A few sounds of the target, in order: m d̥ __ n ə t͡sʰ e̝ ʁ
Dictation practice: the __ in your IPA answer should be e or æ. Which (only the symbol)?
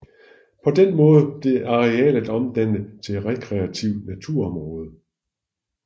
æ